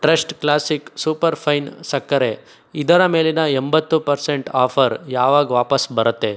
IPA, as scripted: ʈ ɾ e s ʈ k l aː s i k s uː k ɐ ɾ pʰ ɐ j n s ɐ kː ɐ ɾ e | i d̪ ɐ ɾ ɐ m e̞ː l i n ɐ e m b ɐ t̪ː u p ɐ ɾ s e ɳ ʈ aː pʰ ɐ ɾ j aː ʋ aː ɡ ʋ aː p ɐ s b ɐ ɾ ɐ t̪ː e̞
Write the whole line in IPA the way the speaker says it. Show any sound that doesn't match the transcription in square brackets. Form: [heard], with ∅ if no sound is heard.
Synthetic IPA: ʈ ɾ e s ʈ k l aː s i k s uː [p] ɐ ɾ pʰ ɐ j n s ɐ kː ɐ ɾ e | i d̪ ɐ ɾ ɐ m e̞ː l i n ɐ e m b ɐ t̪ː u p ɐ ɾ s e ɳ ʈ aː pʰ ɐ ɾ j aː ʋ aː ɡ ʋ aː p ɐ s b ɐ ɾ ɐ t̪ː e̞